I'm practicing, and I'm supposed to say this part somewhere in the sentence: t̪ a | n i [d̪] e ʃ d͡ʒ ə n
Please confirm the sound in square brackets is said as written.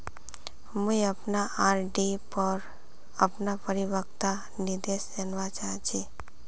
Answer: yes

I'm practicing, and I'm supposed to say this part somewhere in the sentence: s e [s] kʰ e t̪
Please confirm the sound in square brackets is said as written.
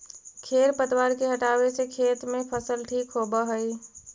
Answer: no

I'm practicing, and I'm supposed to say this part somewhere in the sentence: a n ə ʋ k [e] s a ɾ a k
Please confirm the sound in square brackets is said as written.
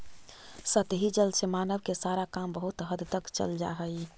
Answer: yes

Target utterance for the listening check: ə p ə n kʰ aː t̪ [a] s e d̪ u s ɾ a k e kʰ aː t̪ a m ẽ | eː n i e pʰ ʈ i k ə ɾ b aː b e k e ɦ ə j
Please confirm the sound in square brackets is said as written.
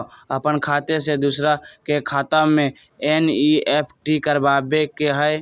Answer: no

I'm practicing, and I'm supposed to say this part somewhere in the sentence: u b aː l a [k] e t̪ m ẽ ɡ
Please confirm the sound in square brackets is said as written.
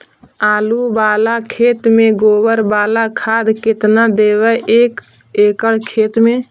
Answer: no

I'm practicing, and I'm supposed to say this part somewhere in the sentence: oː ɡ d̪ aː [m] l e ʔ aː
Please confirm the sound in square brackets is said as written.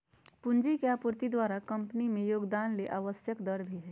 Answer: no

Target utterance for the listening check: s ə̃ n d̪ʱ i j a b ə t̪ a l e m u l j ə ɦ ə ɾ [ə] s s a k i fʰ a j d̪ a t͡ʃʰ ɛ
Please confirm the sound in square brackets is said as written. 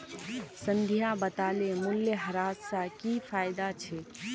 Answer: no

